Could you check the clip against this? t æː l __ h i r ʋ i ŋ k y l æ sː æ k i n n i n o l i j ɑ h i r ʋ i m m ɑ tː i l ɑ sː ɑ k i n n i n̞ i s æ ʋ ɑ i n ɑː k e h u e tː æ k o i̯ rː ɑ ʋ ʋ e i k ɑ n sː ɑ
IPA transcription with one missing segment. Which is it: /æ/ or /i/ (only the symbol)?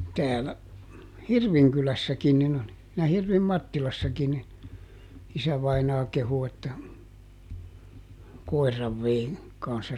æ